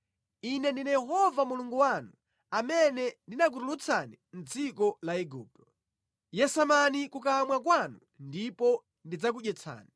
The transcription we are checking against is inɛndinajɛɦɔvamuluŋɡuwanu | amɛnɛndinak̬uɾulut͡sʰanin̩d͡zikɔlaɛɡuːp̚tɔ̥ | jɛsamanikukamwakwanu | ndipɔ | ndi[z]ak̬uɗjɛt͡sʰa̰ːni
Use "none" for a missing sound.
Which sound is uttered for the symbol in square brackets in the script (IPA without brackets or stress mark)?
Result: d͡z